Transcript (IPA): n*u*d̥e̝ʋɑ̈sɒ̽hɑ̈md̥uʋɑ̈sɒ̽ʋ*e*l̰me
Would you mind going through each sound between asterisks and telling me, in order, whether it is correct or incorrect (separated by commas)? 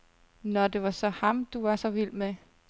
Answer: incorrect, incorrect